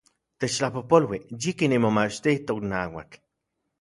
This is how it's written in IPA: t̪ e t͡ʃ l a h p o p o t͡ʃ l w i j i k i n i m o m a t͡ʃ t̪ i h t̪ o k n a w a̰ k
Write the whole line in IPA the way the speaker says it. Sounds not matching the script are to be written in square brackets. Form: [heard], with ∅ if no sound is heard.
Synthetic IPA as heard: t̪ e t͡ʃ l a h p o p o [∅] l w i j i k i n i m o m a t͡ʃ t̪ i h t̪ o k n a w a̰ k